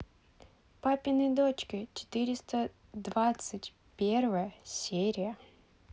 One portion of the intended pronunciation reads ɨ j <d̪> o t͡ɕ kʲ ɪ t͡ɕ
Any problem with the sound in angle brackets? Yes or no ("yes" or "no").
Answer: no